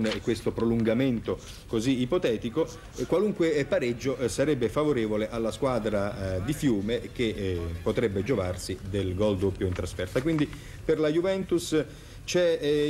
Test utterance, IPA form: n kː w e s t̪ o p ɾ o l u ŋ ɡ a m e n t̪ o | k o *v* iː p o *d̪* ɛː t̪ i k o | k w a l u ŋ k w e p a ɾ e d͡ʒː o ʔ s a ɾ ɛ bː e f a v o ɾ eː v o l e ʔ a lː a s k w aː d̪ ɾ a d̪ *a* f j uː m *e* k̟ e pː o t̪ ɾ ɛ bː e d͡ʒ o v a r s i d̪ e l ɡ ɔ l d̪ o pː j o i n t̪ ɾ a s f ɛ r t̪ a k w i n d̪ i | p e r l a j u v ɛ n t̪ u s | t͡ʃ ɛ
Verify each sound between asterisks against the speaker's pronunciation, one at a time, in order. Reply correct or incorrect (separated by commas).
incorrect, incorrect, incorrect, correct